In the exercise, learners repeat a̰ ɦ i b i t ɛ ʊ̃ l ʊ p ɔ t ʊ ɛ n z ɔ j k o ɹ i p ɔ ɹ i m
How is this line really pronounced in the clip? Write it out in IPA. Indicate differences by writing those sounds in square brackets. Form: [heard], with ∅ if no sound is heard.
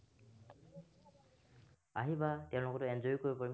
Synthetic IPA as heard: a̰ ɦ i b [a] t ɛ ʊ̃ l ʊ [k] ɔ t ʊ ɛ n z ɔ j k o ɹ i p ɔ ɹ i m